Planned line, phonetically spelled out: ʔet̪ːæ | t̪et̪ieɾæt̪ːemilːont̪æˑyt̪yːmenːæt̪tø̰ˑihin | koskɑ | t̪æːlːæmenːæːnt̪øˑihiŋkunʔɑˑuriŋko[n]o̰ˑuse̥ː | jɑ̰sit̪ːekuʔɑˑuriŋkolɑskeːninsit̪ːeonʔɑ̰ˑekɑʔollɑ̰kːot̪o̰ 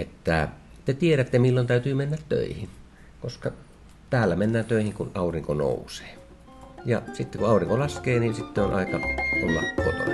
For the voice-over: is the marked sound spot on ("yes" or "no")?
yes